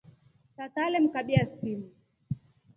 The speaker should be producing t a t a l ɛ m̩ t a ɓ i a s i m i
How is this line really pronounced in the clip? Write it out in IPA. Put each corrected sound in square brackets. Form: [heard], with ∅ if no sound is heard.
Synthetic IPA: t a t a l ɛ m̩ [k] a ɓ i a s i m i

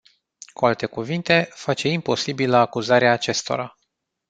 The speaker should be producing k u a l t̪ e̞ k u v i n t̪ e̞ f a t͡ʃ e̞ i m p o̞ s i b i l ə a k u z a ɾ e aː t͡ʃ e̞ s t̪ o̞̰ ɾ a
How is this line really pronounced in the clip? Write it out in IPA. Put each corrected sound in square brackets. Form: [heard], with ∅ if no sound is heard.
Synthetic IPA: k u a l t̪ e̞ k u v i n t̪ e̞ f a t͡ʃ e̞ i m p o̞ s i b i l ə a k u z a ɾ e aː t͡ʃ e̞ s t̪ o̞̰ ɾ a

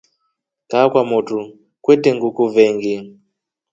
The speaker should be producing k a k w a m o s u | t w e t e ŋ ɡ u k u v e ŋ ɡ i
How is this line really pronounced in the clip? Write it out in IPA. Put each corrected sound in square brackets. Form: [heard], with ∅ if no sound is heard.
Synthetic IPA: k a k w a m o [t] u | [k] w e t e ŋ ɡ u k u v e ŋ ɡ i

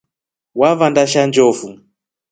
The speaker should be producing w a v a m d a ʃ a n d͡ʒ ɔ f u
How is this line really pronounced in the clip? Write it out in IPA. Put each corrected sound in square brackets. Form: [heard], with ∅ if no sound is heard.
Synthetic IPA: w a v a [n] d a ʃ a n d͡ʒ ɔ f u

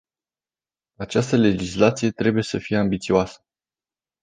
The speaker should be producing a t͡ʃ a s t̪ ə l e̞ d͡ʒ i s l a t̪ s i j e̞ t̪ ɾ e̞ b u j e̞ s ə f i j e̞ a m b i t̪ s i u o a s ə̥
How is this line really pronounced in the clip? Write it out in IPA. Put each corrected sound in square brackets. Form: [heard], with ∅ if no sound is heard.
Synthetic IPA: a t͡ʃ a s t̪ ə l e̞ d͡ʒ i s l a t̪ s i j e̞ t̪ ɾ e̞ b u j e̞ s ə f i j e̞ a m b i t̪ s i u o a s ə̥

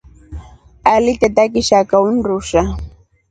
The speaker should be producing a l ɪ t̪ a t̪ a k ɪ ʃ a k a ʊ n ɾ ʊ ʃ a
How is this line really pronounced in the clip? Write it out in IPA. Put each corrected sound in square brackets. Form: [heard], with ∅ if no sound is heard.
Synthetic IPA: a l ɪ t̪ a t̪ a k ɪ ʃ a k a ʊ n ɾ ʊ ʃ a

